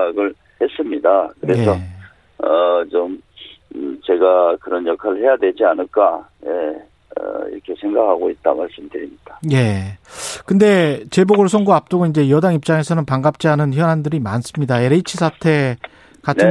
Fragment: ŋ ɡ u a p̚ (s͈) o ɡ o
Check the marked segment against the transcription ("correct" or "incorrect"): incorrect